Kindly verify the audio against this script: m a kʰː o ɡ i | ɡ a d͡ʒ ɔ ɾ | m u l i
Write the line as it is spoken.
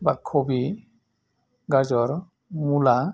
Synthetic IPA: b a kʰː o b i | ɡ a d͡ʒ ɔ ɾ | m u l a